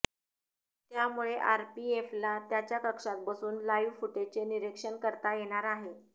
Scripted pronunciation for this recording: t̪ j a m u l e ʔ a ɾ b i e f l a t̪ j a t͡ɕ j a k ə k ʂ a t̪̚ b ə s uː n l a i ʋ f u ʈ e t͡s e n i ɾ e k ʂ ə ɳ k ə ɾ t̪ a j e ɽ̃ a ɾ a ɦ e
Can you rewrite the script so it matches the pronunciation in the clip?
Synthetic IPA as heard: t̪ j a m u ɭ e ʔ a ɾ p i e f l a t̪ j a t͡ɕ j a k ə k ʂ a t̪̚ b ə s uː n l a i ʋ f u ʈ e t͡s e n i ɾ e k ʂ ə ɳ k ə ɾ t̪ a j e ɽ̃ a ɾ a ɦ e